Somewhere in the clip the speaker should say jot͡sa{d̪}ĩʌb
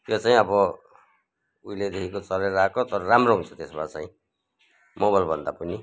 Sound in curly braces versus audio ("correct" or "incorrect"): incorrect